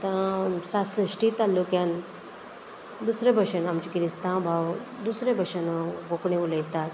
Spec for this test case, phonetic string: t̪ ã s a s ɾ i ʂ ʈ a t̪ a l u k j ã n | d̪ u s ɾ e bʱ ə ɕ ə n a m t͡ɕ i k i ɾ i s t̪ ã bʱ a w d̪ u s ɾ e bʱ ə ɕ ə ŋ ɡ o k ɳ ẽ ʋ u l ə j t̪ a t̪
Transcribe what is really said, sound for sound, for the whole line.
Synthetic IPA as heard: t̪ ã s a s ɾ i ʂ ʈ i t̪ a l u k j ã n | d̪ u s ɾ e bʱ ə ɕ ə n a m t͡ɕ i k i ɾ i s t̪ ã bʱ a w d̪ u s ɾ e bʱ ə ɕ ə n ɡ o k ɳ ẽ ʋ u l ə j t̪ a t̪

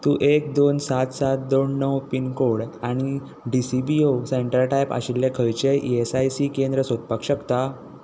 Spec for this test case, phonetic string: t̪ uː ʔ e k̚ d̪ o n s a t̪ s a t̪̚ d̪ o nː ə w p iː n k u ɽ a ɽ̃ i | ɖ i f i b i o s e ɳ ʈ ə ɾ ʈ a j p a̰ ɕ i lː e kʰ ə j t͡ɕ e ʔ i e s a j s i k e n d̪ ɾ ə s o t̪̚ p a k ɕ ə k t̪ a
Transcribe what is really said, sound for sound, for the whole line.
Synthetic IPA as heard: t̪ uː ʔ e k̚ d̪ o n s a t̪ s a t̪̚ d̪ o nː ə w p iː n k o ɽ a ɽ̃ i | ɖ i s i b i o s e ɳ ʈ ə ɾ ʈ a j p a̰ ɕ i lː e kʰ ə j t͡ɕ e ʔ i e s a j s i k e n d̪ ɾ ə s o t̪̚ p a k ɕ ə k t̪ a

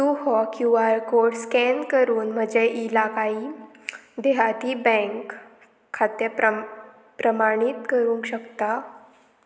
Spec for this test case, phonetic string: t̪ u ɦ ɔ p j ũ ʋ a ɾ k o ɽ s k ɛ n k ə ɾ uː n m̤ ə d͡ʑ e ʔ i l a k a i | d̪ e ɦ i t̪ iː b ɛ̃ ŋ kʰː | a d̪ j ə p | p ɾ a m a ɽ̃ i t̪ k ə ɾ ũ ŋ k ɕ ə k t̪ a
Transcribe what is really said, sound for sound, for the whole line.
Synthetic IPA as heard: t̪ u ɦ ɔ k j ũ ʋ a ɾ k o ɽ s k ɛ n k ə ɾ uː n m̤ ə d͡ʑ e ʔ i l a k a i | d̪ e ɦ a t̪ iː b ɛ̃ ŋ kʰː | a t̪ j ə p | p ɾ ə m a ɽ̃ i t̪ k ə ɾ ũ ŋ k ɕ ə k t̪ a

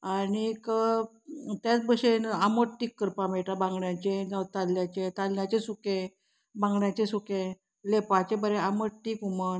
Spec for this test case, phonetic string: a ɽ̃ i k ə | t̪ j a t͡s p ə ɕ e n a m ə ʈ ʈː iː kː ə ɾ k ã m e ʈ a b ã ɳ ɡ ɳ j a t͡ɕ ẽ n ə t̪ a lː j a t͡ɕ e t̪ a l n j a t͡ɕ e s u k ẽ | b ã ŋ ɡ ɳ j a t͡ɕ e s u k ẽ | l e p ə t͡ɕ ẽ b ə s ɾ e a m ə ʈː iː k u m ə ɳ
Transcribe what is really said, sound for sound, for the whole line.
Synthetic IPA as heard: a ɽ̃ i k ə | t̪ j a t͡s b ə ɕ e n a m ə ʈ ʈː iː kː ə ɾ p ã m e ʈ a b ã ŋ ɡ ɳ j a t͡ɕ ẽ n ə t̪ a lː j a t͡ɕ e t̪ a l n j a t͡ɕ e s u k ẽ | b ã ŋ ɡ ɳ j a t͡ɕ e s u k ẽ | l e p a t͡ɕ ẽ b ə ɾ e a m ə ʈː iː k u m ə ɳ

